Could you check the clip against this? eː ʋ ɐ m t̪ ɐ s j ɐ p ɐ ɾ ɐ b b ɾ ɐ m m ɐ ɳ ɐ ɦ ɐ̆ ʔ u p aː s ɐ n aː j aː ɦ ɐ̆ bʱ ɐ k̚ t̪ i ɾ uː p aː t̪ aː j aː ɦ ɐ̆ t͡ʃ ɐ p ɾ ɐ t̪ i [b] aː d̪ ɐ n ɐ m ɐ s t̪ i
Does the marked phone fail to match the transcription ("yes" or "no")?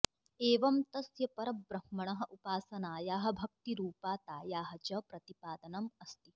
yes